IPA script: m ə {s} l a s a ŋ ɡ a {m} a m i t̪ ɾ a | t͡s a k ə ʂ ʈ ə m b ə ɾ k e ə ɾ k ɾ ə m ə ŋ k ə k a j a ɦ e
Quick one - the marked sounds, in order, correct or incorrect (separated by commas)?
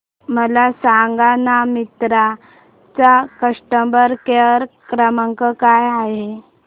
incorrect, incorrect